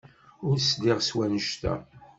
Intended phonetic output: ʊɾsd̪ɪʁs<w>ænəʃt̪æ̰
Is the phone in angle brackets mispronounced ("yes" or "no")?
no